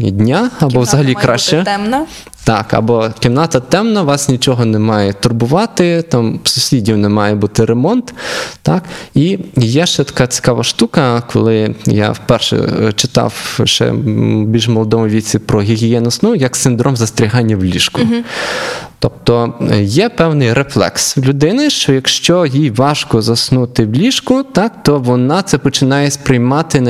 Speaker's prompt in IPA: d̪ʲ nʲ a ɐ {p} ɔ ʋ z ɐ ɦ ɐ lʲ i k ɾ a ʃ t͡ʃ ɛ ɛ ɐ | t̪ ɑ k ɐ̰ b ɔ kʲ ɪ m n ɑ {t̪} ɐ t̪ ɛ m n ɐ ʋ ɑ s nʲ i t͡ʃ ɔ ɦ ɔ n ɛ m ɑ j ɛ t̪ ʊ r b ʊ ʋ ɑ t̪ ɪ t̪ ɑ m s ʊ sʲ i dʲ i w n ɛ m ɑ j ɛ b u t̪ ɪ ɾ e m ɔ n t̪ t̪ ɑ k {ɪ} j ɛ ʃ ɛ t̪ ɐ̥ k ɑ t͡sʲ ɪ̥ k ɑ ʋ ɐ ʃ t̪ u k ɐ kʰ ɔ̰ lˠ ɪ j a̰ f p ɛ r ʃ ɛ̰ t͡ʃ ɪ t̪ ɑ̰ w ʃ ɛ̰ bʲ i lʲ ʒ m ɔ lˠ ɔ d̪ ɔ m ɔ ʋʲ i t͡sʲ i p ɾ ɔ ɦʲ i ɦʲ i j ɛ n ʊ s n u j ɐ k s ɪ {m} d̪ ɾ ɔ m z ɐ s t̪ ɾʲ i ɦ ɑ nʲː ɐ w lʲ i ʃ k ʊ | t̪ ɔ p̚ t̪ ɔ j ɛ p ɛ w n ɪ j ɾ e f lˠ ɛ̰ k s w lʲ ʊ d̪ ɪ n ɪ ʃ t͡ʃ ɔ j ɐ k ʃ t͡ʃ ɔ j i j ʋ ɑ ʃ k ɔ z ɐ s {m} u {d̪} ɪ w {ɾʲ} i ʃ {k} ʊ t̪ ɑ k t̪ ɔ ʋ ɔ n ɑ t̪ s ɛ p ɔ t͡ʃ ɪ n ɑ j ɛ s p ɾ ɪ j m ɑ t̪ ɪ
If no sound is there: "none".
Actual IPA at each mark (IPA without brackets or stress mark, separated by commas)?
b, t̪, i, n, n, t̪, lʲ, k